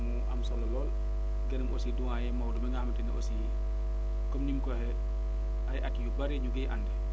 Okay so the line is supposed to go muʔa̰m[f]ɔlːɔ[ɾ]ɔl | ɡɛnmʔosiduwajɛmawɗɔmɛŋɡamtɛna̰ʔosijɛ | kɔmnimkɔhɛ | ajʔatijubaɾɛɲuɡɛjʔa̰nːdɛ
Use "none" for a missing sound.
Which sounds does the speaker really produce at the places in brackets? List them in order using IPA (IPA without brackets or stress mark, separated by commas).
s, l